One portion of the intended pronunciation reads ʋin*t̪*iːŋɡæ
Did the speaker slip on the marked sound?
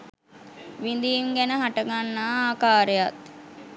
yes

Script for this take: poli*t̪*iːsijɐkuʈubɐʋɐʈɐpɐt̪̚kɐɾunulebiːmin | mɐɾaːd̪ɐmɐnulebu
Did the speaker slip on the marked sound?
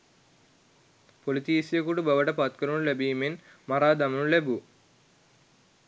no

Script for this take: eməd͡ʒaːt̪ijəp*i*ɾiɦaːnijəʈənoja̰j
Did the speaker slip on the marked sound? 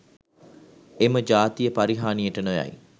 yes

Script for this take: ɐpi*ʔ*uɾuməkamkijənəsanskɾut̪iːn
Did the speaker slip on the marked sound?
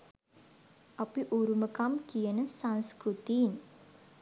no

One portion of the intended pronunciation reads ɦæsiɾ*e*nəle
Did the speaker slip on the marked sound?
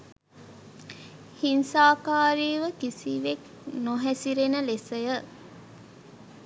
no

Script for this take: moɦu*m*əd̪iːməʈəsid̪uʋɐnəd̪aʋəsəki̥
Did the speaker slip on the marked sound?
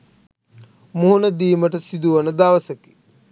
yes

